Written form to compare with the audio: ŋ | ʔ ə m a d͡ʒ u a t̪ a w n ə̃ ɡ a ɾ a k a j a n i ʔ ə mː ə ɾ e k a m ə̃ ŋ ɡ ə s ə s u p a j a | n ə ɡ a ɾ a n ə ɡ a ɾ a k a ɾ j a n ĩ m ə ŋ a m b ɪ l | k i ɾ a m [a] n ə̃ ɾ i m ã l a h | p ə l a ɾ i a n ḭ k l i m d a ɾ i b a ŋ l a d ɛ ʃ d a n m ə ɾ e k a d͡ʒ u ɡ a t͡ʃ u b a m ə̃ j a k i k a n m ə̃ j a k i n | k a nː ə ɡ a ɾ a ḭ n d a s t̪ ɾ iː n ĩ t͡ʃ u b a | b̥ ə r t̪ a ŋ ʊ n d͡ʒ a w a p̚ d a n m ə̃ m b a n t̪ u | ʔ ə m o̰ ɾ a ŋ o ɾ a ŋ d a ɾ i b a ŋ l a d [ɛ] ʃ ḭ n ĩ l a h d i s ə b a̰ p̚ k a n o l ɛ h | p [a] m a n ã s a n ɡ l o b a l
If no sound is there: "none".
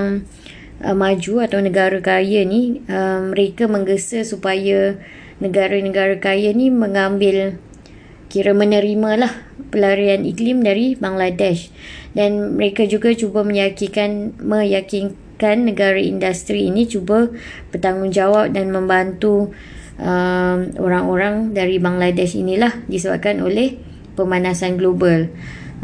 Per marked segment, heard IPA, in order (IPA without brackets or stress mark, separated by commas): ə, ɛ, ə